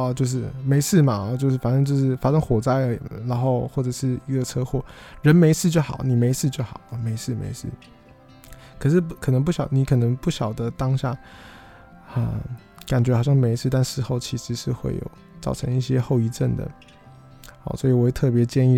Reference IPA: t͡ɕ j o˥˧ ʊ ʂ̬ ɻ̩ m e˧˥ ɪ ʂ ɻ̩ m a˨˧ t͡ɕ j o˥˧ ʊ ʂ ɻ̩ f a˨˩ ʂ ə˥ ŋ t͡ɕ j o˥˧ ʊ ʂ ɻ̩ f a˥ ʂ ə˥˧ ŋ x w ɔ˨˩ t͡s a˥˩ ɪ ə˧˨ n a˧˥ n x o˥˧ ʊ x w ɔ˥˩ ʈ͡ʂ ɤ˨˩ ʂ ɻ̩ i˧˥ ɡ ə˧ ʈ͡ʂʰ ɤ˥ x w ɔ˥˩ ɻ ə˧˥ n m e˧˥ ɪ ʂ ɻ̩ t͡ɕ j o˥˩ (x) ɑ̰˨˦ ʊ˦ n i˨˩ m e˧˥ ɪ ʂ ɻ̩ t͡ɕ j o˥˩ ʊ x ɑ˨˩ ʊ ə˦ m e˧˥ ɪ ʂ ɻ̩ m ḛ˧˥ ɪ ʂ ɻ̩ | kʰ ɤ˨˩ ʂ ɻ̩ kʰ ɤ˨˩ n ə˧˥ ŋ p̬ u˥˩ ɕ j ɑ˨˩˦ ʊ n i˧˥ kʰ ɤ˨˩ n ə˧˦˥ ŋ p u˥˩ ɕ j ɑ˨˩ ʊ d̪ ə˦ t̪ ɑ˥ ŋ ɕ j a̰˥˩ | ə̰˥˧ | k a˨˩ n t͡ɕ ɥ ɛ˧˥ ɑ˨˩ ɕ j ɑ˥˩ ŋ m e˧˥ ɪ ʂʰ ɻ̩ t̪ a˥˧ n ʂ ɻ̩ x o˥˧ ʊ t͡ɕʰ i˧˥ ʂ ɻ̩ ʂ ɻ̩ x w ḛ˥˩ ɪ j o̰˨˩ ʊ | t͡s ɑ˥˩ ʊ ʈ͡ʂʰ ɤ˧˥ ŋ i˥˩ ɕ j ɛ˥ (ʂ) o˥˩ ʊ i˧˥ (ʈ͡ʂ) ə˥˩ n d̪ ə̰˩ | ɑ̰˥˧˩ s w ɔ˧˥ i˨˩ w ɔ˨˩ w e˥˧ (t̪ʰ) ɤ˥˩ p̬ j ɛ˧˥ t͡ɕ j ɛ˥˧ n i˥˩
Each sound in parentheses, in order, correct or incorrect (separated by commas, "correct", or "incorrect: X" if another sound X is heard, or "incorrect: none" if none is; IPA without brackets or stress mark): correct, incorrect: x, correct, correct